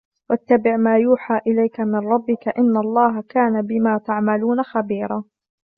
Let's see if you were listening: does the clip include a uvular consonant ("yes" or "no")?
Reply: no